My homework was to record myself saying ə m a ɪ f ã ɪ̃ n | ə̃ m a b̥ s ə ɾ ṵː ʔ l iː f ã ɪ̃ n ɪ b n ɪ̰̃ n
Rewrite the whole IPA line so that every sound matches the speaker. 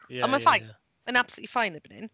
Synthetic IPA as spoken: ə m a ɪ f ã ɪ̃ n | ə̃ n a b̥ s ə l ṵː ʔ l i f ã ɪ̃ n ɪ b n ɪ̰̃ n